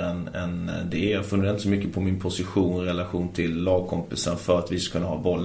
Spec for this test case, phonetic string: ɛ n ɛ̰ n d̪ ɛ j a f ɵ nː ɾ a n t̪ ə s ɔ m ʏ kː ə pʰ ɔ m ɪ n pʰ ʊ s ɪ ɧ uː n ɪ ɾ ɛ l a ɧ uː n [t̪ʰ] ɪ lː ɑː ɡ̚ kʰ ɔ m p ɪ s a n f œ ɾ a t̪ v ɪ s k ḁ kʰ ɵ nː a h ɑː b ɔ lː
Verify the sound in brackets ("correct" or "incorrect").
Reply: correct